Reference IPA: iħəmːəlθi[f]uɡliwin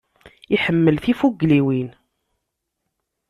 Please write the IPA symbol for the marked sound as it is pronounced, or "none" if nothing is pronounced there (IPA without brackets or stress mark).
f